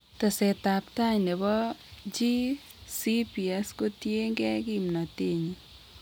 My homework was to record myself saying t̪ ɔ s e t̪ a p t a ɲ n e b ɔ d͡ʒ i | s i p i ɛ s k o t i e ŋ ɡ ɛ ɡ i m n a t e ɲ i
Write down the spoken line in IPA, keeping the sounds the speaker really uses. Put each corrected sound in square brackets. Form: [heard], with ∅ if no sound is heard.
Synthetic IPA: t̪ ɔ s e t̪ a p t a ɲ n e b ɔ d͡ʒ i | s i p i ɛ s k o t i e ŋ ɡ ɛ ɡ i m n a t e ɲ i